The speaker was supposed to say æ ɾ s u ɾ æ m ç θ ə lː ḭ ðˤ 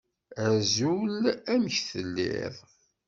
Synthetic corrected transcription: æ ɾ z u l æ m ç θ ə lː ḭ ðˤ